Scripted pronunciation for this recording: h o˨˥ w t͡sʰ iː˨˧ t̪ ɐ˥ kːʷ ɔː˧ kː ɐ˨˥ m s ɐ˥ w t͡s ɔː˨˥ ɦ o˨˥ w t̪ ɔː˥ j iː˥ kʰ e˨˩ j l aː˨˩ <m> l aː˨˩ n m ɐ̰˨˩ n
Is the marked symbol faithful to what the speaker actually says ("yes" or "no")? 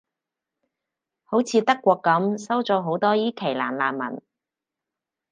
no